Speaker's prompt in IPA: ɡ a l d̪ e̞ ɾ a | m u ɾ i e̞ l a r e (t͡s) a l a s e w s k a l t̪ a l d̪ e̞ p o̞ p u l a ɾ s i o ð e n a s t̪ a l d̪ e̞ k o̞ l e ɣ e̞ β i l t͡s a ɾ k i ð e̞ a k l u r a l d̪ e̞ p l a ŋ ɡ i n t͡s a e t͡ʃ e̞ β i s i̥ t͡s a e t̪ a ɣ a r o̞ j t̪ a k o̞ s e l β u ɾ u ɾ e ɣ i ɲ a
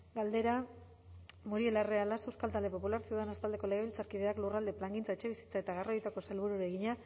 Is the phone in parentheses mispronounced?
yes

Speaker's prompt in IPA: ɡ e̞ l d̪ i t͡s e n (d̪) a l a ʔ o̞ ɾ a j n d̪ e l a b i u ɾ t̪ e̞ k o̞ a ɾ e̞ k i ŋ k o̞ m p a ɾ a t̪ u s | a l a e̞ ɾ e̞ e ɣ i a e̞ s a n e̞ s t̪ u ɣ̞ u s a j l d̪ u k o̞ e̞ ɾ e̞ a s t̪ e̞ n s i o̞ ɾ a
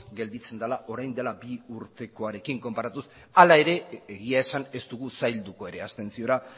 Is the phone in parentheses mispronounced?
no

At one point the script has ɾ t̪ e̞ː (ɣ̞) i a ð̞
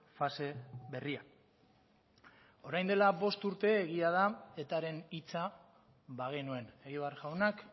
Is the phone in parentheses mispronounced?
no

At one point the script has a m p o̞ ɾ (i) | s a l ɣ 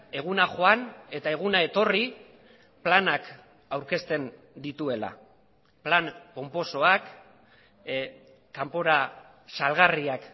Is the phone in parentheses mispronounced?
yes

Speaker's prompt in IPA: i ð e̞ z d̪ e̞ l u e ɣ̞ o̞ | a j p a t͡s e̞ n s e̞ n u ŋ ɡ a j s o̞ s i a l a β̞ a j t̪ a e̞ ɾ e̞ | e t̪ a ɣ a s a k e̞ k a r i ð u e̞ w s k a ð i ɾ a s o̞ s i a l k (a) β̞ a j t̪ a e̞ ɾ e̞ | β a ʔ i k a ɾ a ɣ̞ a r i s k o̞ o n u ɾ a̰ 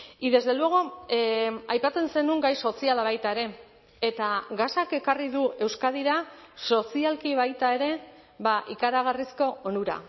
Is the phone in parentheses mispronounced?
yes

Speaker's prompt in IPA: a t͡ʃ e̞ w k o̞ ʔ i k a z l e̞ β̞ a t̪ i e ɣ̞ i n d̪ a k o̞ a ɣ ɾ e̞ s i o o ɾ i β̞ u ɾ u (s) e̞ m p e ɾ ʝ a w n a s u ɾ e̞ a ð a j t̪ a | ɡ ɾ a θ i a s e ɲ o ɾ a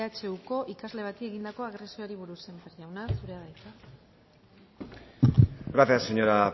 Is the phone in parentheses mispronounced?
no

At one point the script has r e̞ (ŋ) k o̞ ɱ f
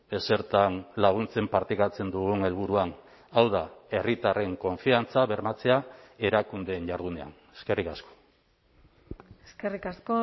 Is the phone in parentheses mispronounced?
no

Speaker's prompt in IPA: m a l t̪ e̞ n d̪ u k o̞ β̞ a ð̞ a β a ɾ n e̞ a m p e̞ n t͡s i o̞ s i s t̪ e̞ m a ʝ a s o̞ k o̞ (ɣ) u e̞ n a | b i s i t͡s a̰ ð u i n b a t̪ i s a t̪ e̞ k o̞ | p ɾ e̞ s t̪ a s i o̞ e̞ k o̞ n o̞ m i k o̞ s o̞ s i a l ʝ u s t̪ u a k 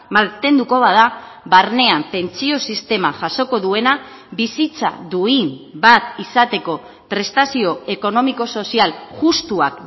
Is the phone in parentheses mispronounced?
yes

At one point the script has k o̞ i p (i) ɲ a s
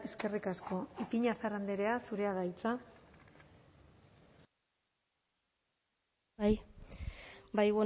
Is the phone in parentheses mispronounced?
no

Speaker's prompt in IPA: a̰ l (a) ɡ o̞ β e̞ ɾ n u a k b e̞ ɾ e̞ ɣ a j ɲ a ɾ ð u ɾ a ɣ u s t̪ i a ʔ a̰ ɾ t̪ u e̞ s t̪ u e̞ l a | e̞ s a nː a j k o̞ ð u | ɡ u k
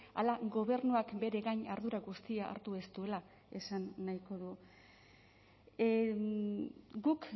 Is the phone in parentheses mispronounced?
no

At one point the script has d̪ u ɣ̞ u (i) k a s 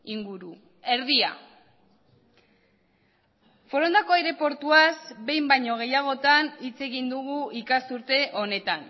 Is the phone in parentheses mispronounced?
no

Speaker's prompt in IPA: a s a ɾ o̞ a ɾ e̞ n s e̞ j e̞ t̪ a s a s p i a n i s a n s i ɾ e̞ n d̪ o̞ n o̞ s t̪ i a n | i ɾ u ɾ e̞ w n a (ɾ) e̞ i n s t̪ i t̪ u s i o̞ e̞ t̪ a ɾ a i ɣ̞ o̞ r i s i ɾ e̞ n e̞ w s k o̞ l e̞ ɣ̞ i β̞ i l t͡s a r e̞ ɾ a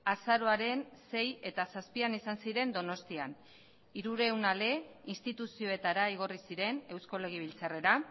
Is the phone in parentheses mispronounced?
yes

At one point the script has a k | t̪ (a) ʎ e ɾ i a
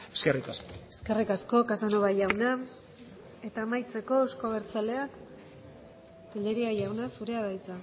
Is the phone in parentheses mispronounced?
yes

